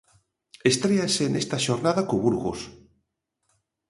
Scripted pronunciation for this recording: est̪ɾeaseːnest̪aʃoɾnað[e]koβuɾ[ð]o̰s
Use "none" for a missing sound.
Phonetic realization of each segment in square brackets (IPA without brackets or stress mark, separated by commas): a, ɣ